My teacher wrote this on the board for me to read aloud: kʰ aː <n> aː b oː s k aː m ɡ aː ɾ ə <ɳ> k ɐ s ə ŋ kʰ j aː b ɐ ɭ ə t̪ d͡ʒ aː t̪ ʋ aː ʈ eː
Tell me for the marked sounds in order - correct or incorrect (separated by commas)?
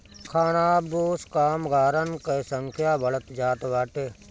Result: correct, incorrect